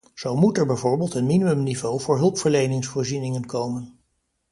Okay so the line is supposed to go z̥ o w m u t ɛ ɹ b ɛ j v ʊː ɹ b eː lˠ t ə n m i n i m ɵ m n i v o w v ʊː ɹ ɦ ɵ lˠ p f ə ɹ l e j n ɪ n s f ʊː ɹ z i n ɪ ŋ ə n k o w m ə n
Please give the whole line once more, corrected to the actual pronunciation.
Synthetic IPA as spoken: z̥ o w m u t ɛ ɹ b ɛ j v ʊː ɹ b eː lˠ t ə n m i n i m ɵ m n i v o w v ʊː ɹ ɦ ɵ lˠ p f ə ɹ l e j n ɪ ŋ s f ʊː ɹ z i n ɪ ŋ ə n k o w m ə n